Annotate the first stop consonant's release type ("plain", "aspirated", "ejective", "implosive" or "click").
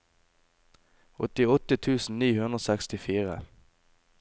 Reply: plain